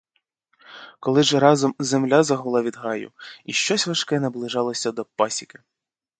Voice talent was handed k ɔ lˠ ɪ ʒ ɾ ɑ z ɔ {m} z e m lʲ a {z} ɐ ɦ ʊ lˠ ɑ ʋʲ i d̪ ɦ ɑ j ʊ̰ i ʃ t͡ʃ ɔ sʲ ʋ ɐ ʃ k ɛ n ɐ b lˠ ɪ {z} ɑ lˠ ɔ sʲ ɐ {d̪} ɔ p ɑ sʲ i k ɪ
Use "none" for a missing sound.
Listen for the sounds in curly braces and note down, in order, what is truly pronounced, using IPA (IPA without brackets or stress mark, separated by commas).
m, z, ʒ, d̪